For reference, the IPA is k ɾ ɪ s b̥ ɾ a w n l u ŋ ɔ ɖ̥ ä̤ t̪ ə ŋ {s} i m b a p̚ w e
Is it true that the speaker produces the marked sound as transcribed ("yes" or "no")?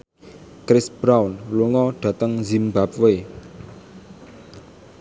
no